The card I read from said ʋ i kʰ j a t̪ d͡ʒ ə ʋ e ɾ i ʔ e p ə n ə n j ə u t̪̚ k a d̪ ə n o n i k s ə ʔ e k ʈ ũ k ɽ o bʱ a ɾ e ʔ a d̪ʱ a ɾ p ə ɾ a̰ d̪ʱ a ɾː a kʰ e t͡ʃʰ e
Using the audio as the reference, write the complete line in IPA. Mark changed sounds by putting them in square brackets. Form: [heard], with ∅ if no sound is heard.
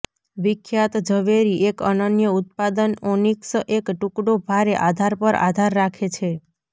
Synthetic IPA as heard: ʋ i kʰ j a t̪ d͡ʒ ə ʋ e ɾ i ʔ e [k] ə n ə n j ə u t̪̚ [p] a d̪ ə n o n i k s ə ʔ e k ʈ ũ k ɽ o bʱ a ɾ e ʔ a d̪ʱ a ɾ p ə ɾ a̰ d̪ʱ a ɾː a kʰ e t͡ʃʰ e